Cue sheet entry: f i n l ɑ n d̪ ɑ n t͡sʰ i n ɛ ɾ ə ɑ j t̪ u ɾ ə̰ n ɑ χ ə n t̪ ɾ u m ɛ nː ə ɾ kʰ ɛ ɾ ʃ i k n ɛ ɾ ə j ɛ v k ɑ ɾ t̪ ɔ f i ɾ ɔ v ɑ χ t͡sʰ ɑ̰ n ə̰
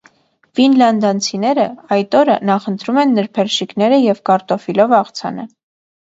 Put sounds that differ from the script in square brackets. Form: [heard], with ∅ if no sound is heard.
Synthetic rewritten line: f i n l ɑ n d̪ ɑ n t͡sʰ i n ɛ ɾ ə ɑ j t̪ [ɔ] ɾ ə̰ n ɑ χ ə n t̪ ɾ u m ɛ nː ə ɾ [pʰ] ɛ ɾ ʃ i k n ɛ ɾ ə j ɛ v k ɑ ɾ t̪ ɔ f i [l] ɔ v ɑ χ t͡sʰ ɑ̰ n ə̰